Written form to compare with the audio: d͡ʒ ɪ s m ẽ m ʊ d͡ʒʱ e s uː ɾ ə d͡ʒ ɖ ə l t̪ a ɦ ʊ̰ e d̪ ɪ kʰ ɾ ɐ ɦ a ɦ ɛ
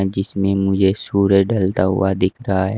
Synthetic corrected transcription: d͡ʒ ɪ s m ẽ m ʊ d͡ʒʱ e s uː ɾ ə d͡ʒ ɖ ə l t̪ a ɦ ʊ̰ a d̪ ɪ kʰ ɾ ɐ ɦ a ɦ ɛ